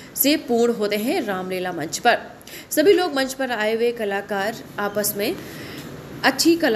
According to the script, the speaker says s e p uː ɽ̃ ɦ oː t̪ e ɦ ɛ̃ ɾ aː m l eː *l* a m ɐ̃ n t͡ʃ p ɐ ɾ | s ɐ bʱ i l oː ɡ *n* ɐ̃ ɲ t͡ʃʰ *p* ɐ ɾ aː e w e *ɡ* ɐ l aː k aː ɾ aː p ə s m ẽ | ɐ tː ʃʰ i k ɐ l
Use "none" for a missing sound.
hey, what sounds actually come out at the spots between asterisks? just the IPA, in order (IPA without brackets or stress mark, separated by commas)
l, m, p, k